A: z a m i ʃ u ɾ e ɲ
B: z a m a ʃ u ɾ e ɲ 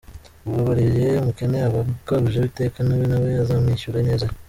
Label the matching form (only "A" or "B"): A